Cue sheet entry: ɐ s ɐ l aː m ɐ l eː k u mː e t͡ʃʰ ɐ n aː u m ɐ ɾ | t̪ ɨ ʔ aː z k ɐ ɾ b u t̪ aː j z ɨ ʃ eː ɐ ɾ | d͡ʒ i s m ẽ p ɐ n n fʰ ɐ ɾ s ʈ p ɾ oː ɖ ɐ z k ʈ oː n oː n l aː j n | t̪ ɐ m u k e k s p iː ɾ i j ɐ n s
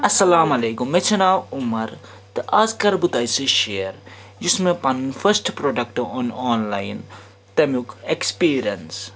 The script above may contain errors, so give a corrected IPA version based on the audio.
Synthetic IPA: ɐ s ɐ l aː m ɐ l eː k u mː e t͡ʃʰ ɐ n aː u m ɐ ɾ | t̪ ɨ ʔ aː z k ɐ ɾ b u t̪ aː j s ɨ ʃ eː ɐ ɾ | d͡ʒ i s m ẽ p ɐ n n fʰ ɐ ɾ s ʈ p ɾ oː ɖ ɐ k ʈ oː n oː n l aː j n | t̪ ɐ m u k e k s p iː ɾ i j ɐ n s